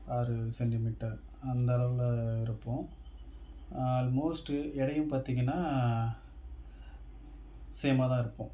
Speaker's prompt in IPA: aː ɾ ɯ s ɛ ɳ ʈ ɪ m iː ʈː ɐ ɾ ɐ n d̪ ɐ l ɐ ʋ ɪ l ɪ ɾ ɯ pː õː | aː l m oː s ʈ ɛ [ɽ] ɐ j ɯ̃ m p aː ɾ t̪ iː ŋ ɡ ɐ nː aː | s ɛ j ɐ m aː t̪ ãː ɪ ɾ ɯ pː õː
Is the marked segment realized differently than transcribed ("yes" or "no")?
no